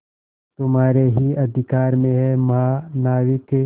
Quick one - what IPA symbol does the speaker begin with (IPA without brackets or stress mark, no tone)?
t̪